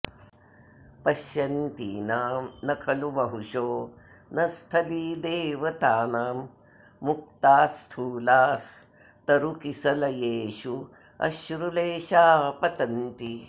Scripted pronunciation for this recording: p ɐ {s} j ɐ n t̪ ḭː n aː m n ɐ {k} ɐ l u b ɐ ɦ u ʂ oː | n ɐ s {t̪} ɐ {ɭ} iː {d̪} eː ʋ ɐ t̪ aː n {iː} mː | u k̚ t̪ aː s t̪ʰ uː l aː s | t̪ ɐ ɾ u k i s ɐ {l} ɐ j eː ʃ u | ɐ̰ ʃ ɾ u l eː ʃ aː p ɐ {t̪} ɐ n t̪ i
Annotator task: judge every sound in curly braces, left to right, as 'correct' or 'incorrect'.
incorrect: ʃ, incorrect: kʰ, incorrect: t̪ʰ, incorrect: l, correct, incorrect: aː, correct, correct

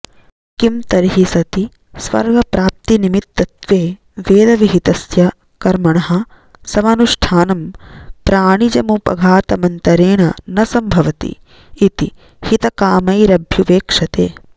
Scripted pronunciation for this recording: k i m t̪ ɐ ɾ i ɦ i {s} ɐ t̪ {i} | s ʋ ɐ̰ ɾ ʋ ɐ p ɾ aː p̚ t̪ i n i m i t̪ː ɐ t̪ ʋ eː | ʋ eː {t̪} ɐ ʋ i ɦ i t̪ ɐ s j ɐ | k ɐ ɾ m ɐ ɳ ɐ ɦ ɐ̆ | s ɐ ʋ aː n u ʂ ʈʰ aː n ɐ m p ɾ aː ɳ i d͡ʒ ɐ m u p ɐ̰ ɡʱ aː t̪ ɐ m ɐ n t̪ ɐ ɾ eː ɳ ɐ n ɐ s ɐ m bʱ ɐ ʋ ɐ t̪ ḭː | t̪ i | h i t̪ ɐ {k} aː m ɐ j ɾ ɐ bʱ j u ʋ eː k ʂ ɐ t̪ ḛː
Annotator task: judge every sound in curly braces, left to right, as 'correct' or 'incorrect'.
correct, correct, incorrect: d̪, correct

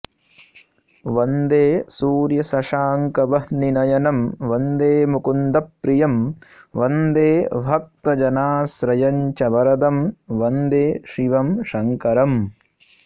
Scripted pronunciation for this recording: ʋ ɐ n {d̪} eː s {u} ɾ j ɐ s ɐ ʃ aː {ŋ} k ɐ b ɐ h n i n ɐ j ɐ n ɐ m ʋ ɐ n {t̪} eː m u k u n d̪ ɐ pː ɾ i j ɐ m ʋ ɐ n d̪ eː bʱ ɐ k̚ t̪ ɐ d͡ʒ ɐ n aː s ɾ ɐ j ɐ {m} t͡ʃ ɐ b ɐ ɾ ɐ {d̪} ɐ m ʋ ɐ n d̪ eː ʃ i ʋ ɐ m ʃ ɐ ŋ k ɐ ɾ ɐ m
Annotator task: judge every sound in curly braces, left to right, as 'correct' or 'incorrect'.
correct, incorrect: uː, correct, incorrect: d̪, incorrect: ɲ, correct

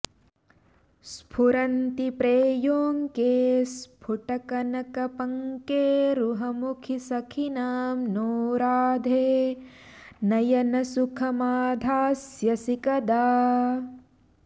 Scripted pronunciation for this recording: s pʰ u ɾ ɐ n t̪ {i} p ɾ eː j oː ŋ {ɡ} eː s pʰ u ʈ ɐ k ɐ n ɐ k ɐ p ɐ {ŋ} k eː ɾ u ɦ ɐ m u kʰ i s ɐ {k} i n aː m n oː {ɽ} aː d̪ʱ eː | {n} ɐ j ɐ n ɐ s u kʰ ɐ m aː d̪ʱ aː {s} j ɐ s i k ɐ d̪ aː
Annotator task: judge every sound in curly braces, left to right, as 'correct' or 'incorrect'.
correct, incorrect: k, correct, incorrect: kʰ, incorrect: ɾ, correct, correct

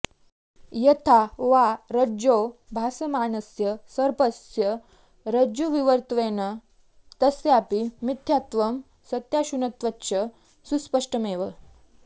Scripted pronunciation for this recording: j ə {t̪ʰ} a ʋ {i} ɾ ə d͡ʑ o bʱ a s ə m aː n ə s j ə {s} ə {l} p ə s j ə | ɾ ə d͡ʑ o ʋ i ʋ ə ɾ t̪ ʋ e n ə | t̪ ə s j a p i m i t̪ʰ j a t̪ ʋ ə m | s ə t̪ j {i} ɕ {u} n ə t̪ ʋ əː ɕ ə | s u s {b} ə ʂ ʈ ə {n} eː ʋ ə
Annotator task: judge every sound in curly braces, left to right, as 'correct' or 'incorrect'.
correct, incorrect: a, correct, incorrect: ɾ, incorrect: a, correct, incorrect: p, incorrect: m

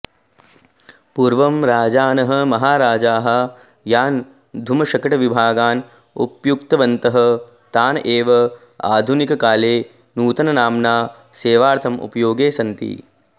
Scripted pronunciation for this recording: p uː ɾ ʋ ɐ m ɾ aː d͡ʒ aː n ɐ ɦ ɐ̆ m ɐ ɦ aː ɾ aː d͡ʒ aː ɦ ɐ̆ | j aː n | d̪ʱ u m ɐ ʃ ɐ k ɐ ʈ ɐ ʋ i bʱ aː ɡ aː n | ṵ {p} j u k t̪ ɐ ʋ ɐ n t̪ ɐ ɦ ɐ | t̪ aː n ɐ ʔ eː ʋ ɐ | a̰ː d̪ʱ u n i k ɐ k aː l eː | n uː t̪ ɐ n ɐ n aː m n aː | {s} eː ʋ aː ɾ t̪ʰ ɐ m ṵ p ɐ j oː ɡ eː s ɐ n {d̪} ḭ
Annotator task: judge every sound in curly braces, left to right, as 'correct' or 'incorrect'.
correct, correct, incorrect: t̪

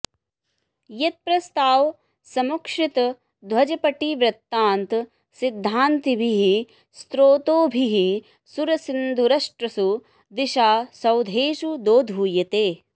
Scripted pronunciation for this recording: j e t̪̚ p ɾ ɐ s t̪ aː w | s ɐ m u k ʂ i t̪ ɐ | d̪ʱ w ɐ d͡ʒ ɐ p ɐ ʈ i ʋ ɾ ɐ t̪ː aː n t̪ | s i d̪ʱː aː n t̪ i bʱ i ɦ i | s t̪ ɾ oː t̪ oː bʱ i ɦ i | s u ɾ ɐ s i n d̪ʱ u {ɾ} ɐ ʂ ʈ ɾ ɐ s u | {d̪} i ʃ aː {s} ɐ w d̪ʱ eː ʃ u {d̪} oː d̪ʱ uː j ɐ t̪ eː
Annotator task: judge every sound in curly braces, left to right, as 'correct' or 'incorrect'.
correct, correct, correct, correct

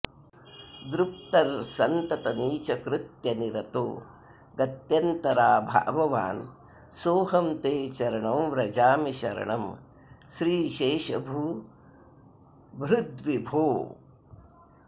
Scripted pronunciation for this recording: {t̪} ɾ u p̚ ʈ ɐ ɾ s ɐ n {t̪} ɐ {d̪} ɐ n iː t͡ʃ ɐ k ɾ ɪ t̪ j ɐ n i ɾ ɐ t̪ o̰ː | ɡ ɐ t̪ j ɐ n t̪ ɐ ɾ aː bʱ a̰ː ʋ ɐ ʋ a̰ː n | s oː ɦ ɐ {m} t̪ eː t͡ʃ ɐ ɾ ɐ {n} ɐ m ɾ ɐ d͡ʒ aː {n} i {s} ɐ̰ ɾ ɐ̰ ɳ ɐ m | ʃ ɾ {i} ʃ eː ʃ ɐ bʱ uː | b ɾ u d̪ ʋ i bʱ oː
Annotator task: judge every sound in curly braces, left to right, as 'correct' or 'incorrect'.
incorrect: d̪, correct, incorrect: t̪, correct, incorrect: ɳ, incorrect: m, incorrect: ʃ, incorrect: iː

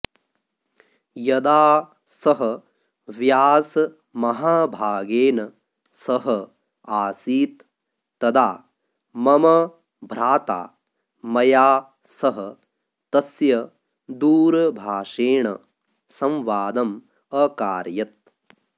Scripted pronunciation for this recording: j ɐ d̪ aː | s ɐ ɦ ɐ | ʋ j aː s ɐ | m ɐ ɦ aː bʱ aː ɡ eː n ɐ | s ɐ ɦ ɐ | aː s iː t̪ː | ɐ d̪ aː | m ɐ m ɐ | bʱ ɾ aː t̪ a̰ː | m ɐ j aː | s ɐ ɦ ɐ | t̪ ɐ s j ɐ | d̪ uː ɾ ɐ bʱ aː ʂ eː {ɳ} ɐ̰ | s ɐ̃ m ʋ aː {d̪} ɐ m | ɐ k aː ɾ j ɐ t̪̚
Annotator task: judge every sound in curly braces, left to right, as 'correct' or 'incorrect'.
correct, correct

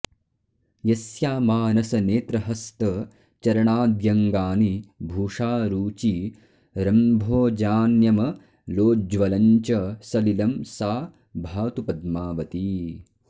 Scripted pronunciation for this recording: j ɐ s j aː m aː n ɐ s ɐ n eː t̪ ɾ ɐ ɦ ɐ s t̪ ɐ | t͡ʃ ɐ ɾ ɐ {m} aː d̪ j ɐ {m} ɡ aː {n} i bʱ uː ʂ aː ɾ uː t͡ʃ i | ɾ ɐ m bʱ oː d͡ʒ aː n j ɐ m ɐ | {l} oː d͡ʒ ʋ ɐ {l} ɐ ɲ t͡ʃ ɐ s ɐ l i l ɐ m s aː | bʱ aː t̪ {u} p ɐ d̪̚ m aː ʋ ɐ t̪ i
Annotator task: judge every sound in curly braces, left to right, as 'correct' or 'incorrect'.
incorrect: ɳ, incorrect: ŋ, correct, correct, correct, correct

